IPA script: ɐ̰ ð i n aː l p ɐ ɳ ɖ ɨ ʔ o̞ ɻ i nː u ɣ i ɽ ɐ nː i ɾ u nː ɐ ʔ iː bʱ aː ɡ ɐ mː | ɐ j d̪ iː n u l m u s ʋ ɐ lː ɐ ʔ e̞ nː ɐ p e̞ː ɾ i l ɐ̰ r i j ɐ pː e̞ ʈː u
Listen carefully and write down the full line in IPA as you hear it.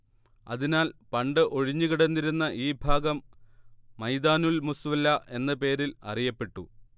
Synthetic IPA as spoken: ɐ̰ ð i n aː l p ɐ ɳ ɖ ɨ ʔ o̞ ɻ i ɲː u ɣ i ɽ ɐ nː i ɾ u nː ɐ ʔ iː bʱ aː ɡ ɐ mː | ɐ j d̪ aː n u l m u s ʋ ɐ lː ɐ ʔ e̞ nː ɐ p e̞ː ɾ i l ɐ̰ r i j ɐ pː e̞ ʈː u